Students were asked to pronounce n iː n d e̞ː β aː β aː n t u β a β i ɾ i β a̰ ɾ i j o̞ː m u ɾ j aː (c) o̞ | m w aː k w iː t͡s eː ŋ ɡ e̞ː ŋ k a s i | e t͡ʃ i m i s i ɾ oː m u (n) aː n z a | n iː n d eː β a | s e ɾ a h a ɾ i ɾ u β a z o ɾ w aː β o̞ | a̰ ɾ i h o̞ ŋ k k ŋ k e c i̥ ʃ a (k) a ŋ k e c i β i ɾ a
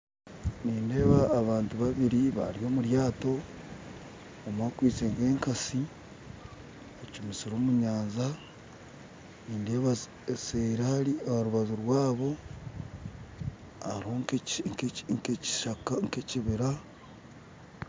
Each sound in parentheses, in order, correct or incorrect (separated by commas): incorrect, incorrect, correct